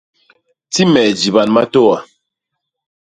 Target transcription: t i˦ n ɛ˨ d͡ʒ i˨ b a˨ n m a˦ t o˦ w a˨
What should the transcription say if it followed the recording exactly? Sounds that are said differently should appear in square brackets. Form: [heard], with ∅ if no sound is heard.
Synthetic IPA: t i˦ [m] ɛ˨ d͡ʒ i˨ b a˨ n m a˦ t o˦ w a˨

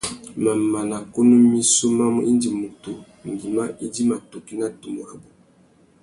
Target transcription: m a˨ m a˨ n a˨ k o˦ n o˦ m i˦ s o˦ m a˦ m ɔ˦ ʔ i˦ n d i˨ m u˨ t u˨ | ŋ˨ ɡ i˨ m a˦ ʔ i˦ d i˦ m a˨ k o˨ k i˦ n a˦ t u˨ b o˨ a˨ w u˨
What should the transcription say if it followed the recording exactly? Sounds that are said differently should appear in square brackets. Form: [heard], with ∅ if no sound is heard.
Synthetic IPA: m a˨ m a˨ n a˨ k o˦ n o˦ m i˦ s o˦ m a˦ m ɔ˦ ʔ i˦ n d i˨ m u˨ t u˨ | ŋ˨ ɡ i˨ m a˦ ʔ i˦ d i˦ m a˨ [t] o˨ k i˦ n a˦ t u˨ [m] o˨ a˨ [b] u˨

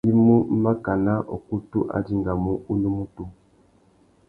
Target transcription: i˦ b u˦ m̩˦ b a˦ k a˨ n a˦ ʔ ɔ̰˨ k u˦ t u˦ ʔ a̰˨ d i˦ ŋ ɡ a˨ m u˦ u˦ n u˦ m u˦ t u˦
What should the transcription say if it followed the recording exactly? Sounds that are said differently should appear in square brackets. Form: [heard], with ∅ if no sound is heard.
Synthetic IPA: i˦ [m] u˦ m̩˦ [m] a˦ k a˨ n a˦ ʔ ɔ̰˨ k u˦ t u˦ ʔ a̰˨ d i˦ ŋ ɡ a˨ m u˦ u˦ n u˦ m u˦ t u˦

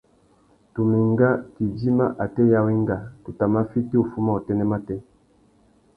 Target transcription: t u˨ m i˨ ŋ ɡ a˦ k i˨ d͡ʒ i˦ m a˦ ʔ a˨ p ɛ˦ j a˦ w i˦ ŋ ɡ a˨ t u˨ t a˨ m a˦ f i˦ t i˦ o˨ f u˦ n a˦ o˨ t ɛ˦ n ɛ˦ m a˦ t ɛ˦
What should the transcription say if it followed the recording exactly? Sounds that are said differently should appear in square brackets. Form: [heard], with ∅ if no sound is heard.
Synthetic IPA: t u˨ m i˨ ŋ ɡ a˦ k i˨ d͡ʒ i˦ m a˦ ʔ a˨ [t] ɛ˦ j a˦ w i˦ ŋ ɡ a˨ t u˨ t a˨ m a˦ f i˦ t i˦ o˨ f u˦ [m] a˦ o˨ t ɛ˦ n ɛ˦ m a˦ t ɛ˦

